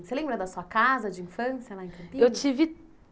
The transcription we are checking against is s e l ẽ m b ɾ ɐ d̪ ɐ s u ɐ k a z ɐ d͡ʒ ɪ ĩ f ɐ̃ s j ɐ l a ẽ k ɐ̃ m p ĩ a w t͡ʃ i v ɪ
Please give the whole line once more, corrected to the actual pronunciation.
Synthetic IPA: s e l ẽ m b ɾ ɐ d̪ ɐ s u ɐ k a z ɐ d͡ʒ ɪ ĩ f ɐ̃ s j ɐ l a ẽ k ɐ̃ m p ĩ e w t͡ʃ i v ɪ